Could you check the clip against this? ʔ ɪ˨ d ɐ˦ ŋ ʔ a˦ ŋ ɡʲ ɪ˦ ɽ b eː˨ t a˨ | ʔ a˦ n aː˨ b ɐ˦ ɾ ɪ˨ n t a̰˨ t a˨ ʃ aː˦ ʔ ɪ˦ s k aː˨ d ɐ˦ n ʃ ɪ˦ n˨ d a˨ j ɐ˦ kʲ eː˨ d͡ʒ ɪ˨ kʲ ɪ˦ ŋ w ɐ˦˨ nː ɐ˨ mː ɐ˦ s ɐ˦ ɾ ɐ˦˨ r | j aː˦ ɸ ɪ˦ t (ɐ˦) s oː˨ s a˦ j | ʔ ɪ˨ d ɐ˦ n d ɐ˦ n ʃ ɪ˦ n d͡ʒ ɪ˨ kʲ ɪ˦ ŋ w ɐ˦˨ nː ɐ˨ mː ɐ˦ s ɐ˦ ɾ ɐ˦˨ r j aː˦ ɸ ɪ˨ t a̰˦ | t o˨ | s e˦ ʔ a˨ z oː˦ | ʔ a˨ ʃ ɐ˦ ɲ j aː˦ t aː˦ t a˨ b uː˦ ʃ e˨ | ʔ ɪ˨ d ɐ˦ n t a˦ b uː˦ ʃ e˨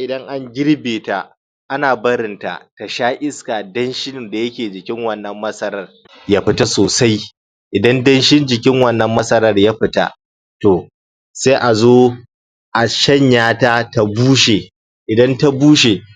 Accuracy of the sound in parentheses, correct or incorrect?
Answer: incorrect